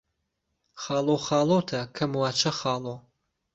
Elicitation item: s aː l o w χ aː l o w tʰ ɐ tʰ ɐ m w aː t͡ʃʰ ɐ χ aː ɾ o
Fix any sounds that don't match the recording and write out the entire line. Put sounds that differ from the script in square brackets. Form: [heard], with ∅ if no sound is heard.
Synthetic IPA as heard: [χ] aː l o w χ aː l o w tʰ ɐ [kʰ] ɐ m w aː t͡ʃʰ ɐ χ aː [l] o